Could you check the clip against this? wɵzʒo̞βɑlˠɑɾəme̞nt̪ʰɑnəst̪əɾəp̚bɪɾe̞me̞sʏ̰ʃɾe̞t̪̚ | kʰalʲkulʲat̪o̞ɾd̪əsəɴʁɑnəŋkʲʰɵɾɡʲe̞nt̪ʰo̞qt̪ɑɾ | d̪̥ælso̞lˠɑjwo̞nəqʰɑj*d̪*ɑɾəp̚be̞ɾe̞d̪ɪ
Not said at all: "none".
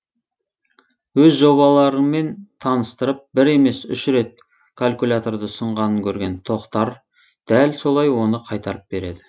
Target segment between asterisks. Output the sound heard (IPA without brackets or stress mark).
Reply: t̪